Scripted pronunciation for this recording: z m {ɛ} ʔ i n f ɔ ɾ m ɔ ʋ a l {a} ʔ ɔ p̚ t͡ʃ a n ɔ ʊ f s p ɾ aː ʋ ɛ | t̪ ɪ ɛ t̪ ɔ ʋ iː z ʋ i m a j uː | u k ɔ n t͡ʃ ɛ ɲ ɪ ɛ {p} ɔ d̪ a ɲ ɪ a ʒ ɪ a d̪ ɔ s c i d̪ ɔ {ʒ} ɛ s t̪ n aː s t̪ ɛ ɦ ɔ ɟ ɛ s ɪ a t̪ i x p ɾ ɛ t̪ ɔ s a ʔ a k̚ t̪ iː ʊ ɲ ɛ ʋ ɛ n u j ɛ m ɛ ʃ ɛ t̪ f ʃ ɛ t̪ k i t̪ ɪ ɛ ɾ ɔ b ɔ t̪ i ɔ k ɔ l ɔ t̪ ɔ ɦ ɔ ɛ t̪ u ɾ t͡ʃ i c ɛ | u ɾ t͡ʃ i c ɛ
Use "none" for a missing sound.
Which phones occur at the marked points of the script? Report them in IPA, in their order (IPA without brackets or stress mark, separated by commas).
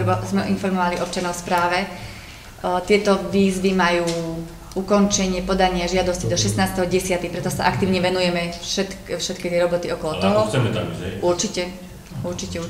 ɛ, i, p, ʃ